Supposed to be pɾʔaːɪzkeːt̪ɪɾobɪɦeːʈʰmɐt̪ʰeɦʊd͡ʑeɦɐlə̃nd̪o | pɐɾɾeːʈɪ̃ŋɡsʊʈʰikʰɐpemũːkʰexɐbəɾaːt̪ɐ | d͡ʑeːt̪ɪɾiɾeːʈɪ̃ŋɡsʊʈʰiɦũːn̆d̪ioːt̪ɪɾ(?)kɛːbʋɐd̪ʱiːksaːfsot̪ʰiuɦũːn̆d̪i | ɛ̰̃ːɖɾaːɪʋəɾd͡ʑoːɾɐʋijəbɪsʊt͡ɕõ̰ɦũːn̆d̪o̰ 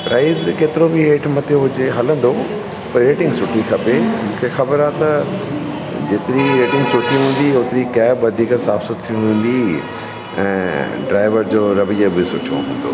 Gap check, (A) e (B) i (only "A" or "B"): B